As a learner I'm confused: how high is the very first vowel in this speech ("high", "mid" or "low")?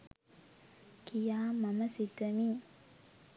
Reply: high